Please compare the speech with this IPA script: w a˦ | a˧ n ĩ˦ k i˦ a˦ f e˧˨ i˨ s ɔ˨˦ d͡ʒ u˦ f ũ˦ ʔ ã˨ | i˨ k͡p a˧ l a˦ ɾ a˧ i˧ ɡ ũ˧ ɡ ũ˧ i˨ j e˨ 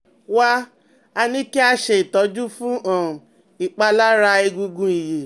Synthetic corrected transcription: w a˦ | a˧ n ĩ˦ k i˦ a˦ ʃ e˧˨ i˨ t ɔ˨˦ d͡ʒ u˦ f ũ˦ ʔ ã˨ | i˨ k͡p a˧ l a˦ ɾ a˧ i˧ ɡ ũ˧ ɡ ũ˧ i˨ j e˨